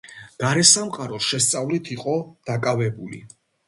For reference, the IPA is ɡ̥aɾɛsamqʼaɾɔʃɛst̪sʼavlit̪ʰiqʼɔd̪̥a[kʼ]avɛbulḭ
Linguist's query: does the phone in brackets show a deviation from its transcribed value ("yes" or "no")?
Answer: no